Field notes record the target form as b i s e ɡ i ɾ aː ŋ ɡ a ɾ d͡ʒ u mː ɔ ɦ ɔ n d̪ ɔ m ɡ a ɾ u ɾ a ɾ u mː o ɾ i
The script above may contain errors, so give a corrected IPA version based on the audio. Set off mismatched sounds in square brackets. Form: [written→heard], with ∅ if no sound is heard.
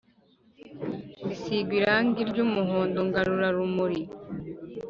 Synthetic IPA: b i s [e→i] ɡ i ɾ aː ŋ ɡ [a→i] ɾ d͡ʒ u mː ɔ ɦ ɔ n d̪ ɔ [m→ŋ] ɡ a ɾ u ɾ a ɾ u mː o ɾ i